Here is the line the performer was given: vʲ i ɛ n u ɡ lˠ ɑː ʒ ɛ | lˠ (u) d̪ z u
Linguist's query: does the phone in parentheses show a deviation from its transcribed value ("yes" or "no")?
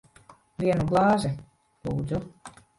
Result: yes